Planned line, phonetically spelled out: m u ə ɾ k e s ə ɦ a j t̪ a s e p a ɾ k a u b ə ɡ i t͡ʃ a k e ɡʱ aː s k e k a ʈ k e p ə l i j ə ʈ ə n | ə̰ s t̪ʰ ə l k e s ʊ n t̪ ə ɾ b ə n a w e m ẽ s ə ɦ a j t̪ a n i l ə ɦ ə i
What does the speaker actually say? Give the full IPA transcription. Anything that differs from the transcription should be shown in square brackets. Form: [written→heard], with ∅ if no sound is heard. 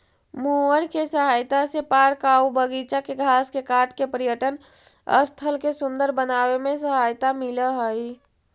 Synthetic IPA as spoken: m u ə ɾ k e s ə ɦ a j t̪ a s e p a ɾ k a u b ə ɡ i t͡ʃ a k e ɡʱ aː s k e k a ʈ k e p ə [l→ɾ] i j ə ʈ ə n | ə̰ s t̪ʰ ə l k e s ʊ n [t̪→d̪] ə ɾ b ə n a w e m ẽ s ə ɦ a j t̪ a [n→m] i l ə ɦ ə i